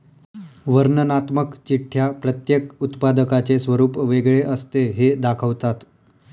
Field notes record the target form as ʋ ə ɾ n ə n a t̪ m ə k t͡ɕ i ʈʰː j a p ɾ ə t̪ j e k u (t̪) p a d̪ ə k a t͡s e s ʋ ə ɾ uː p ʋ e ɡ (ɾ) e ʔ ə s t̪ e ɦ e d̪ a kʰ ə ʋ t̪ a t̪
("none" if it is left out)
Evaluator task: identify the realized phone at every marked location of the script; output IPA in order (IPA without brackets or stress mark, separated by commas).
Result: t̪, ɭ